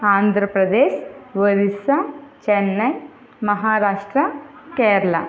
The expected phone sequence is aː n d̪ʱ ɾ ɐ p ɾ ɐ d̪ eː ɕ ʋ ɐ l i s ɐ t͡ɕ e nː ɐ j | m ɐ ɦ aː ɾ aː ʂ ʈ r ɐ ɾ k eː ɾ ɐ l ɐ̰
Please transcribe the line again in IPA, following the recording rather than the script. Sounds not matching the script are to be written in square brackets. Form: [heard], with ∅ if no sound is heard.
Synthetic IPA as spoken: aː n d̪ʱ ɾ ɐ p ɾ ɐ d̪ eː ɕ ʋ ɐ [ɾ] i s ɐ t͡ɕ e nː ɐ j | m ɐ ɦ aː ɾ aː ʂ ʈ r ɐ [∅] k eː ɾ ɐ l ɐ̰